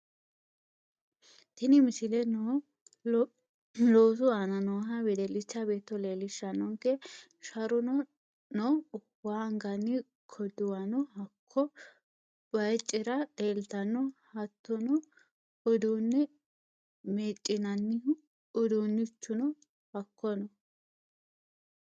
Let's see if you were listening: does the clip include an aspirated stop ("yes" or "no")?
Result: yes